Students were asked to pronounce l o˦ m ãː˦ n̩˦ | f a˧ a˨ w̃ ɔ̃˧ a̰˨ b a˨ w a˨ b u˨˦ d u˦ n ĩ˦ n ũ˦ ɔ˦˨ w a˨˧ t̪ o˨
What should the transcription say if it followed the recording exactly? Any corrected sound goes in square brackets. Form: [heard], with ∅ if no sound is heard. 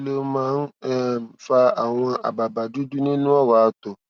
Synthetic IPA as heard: l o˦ m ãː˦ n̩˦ | f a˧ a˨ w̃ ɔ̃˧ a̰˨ b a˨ [b] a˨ [d] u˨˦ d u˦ n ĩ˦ n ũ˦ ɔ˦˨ w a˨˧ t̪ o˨